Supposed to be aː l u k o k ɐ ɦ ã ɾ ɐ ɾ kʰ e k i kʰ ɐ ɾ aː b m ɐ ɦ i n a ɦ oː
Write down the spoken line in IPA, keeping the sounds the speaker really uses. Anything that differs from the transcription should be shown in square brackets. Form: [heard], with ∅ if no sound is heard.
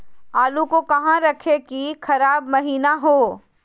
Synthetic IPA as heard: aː l u k o k ɐ ɦ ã ɾ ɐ [∅] kʰ e k i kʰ ɐ ɾ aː b m ɐ ɦ [iː] n a ɦ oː